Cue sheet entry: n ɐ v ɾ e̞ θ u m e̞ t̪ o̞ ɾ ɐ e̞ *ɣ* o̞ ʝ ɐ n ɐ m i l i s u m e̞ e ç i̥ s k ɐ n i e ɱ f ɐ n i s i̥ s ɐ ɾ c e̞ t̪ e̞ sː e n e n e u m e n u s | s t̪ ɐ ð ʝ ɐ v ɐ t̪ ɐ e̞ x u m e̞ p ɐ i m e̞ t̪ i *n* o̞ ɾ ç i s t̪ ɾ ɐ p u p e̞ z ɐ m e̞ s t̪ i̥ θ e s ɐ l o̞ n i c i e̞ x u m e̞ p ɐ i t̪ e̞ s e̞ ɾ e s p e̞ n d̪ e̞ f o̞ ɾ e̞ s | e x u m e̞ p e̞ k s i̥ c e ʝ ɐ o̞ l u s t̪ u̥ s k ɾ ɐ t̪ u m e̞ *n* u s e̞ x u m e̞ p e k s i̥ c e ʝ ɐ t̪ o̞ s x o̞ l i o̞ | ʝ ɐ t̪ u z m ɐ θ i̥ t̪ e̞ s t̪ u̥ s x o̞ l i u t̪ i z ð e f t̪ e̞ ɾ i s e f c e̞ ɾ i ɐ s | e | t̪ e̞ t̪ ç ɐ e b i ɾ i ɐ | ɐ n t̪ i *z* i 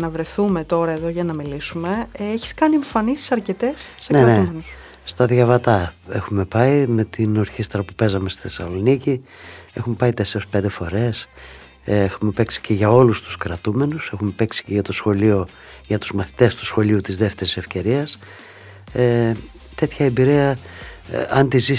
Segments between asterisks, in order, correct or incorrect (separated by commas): incorrect, correct, correct, correct